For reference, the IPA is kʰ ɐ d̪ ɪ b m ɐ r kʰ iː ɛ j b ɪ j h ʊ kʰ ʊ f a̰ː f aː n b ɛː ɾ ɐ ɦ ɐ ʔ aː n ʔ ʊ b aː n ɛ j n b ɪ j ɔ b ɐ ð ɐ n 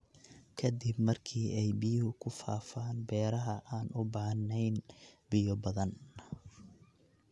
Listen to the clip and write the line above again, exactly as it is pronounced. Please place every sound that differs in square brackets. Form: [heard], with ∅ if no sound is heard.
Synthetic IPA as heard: kʰ ɐ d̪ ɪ b m ɐ r kʰ iː ɛ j b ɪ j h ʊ kʰ ʊ f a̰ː f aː n b ɛː ɾ ɐ ɦ ɐ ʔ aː n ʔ ʊ b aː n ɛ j n b ɪ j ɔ b ɐ ð ɐ n